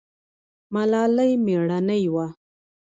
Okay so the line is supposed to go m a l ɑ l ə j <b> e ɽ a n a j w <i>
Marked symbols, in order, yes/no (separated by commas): no, no